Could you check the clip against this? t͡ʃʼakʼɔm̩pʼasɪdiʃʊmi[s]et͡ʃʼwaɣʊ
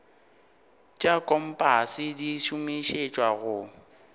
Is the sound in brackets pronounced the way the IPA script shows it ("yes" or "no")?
no